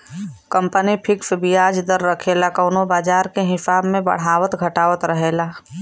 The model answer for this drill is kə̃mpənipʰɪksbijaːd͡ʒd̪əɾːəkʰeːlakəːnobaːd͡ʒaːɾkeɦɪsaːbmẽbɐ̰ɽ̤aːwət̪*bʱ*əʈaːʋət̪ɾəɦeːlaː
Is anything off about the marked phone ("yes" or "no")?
yes